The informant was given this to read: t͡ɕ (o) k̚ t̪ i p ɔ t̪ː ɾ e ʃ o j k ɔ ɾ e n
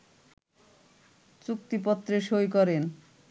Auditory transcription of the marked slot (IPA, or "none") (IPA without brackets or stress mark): u